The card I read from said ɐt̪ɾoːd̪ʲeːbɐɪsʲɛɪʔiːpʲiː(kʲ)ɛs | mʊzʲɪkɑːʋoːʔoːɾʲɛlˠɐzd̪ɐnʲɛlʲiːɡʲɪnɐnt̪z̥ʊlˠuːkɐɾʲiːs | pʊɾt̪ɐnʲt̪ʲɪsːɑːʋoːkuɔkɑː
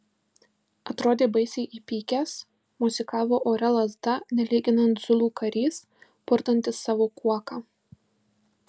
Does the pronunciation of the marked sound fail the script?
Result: no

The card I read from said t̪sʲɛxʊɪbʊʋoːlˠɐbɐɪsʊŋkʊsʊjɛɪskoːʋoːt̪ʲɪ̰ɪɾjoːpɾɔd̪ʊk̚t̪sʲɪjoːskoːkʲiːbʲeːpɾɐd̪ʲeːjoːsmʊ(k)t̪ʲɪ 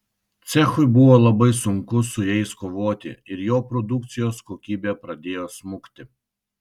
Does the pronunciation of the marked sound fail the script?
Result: no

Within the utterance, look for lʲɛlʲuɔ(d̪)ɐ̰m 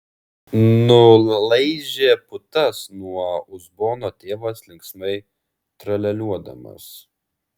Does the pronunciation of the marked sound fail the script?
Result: no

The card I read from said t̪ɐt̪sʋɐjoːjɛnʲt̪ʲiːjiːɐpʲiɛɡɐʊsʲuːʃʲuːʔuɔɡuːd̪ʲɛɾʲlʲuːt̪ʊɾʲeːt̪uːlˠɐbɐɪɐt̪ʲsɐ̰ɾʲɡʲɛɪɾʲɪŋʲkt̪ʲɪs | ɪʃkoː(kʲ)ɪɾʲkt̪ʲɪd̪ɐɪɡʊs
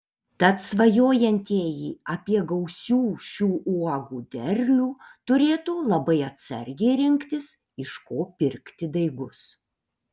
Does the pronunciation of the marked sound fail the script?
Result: yes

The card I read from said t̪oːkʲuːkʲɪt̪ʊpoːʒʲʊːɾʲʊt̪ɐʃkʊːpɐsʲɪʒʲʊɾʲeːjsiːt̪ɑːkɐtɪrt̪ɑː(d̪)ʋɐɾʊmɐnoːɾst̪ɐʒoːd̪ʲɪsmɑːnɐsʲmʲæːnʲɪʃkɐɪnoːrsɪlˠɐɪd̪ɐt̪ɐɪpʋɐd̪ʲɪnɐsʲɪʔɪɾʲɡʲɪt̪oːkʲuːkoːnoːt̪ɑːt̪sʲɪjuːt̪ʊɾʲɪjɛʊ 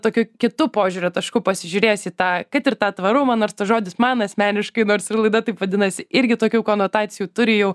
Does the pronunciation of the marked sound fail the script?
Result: yes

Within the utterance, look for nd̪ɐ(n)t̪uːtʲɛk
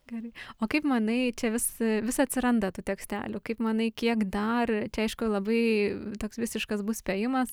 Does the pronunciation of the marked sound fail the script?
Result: yes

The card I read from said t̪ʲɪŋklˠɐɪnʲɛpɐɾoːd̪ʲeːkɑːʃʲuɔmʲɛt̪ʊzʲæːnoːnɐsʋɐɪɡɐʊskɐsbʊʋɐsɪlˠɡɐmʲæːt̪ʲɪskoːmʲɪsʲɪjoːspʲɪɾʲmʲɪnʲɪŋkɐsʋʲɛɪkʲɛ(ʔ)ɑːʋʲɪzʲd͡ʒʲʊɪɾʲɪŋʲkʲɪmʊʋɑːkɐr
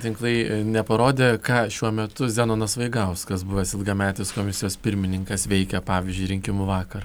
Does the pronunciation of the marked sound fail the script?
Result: yes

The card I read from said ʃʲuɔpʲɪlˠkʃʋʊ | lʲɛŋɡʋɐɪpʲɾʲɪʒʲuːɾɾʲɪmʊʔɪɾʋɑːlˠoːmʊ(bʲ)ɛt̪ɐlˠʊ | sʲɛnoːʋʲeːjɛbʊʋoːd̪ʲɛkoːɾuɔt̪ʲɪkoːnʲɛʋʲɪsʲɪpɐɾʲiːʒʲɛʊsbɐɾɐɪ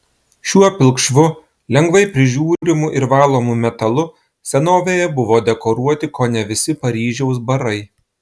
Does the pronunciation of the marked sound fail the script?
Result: yes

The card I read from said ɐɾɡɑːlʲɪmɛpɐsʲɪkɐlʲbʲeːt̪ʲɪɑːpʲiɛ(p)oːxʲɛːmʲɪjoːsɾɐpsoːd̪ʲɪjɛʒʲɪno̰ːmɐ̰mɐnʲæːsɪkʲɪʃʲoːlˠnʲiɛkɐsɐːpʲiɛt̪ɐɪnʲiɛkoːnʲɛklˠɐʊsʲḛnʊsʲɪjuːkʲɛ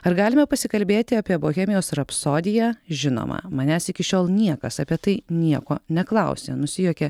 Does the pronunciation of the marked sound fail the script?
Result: yes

